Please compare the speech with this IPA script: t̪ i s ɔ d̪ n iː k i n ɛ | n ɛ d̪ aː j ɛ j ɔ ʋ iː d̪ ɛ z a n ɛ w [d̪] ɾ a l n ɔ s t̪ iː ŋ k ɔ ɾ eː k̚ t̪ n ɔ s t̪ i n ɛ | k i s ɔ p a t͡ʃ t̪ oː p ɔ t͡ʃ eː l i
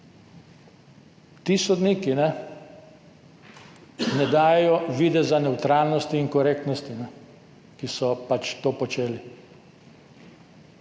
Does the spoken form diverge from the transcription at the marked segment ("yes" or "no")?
yes